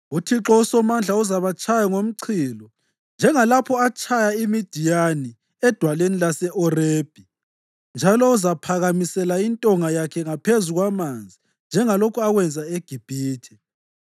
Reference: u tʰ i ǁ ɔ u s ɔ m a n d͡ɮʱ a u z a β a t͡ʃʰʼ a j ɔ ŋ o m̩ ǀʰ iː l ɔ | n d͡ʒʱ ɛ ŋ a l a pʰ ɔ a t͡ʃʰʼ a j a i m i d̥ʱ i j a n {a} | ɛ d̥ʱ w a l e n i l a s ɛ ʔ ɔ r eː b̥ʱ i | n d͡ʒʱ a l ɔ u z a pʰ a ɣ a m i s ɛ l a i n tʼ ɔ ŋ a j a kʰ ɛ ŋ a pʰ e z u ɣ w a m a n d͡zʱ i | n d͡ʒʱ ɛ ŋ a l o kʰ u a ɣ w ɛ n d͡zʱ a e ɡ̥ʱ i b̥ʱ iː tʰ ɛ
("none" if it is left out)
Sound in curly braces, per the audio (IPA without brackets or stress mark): i